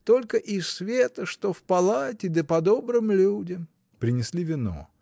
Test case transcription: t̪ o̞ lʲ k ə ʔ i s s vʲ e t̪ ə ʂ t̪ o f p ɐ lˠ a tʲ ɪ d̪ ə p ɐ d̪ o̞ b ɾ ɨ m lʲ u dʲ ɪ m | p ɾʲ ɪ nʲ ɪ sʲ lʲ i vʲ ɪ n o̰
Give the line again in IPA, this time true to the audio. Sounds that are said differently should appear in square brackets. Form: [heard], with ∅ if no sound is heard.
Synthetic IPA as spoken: t̪ o̞ lʲ k ə ʔ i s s vʲ e t̪ ə ʂ t̪ o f p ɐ lˠ a tʲ ɪ d̪ ə p ɐ d̪ o̞ b ɾ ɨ m lʲ u dʲ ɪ m | p ɾʲ ɪ nʲ ɪ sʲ lʲ i vʲ ɪ n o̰